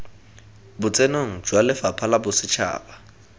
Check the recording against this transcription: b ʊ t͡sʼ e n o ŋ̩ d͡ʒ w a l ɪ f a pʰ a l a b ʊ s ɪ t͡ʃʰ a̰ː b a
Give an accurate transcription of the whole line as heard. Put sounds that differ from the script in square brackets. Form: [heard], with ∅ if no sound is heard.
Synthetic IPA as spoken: b ʊ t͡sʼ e n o ŋ̩ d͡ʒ w a l ɪ f a pʰ a l a b ʊ s ɪ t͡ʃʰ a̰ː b a